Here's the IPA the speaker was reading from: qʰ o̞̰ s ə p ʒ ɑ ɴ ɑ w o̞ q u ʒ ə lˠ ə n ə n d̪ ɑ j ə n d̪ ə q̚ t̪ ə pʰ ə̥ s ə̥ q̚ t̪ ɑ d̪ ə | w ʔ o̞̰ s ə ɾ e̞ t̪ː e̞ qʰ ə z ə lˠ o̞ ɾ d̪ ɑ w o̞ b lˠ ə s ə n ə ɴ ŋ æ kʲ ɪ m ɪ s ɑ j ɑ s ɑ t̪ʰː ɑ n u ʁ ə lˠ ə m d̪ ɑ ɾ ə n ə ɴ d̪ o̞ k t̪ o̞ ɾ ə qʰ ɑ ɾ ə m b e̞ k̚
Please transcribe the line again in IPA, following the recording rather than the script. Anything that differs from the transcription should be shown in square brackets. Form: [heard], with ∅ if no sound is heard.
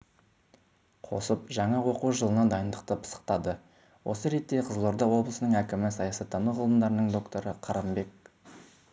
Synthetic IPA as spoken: qʰ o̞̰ s ə p ʒ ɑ ɴ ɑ w o̞ q u ʒ ə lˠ ə n [ɑ] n d̪ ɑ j ə n d̪ ə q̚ t̪ ə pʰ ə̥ s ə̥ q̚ t̪ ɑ d̪ ə | w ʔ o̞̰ s ə ɾ e̞ t̪ː e̞ qʰ ə z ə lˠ o̞ ɾ d̪ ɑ w o̞ b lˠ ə s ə n ə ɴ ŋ æ kʲ ɪ m ɪ s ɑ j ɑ s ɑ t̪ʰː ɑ n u ʁ ə lˠ ə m d̪ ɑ ɾ ə n ə ɴ d̪ o̞ k t̪ o̞ ɾ ə qʰ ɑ ɾ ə m b e̞ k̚